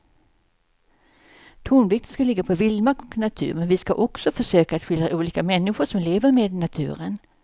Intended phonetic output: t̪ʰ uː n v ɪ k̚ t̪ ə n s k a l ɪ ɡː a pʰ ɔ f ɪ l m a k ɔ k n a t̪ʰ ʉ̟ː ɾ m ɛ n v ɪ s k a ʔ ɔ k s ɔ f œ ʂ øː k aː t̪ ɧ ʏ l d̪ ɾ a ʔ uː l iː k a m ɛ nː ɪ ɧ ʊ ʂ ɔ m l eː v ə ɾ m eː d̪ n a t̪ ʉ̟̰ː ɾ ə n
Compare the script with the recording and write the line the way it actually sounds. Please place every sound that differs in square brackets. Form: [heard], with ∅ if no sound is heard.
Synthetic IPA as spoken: t̪ʰ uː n v ɪ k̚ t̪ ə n s k a l ɪ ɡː a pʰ ɔ [v] ɪ l m a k ɔ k n a t̪ʰ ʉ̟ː ɾ m ɛ n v ɪ s k a ʔ ɔ k s ɔ f œ ʂ øː k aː t̪ ɧ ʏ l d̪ ɾ a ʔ uː l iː k a m ɛ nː ɪ ɧ ʊ ʂ ɔ m l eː v ə ɾ m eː d̪ n a [t̪ʰ] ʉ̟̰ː ɾ ə n